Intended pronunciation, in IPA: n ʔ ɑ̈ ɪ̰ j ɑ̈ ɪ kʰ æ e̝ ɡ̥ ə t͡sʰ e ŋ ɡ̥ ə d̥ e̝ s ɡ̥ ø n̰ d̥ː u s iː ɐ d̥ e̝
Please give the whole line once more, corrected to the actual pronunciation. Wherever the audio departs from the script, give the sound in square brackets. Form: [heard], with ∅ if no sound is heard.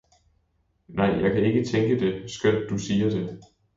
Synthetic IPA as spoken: n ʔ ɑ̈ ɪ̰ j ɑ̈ ɪ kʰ æ e̝ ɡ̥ ə t͡sʰ e ŋ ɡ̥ ə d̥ e̝ s ɡ̥ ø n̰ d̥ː u s iː ɐ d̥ e̝